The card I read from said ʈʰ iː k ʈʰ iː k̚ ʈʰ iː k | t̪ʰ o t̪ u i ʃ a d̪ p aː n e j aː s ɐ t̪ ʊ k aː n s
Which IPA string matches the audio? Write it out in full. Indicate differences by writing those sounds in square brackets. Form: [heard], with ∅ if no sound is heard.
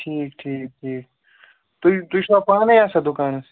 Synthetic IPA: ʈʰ iː k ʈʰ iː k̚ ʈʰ iː k | [t̪] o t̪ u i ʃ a [∅] p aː n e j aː s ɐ [d̪] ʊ k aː n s